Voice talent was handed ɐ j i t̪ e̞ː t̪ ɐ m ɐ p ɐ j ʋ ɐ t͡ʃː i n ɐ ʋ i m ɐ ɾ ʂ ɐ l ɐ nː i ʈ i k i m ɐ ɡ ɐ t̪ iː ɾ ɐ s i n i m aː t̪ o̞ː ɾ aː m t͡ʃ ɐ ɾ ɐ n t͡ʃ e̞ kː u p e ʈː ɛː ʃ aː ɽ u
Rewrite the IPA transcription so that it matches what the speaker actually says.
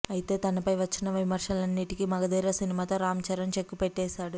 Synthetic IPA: ɐ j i t̪ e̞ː t̪ ɐ n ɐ p ɐ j ʋ ɐ t͡ʃː i n ɐ ʋ i m ɐ ɾ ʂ ɐ l ɐ nː i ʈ i k i m ɐ ɡ ɐ d̪ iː ɾ ɐ s i n i m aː t̪ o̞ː ɾ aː m t͡ʃ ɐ ɾ ɐ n t͡ʃ e̞ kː u p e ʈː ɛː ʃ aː ɽ u